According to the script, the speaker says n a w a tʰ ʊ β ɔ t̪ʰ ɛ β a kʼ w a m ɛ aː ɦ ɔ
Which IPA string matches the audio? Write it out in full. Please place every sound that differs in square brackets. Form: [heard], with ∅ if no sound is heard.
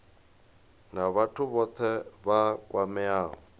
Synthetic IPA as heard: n a [β] a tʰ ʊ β ɔ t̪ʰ ɛ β a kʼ w a m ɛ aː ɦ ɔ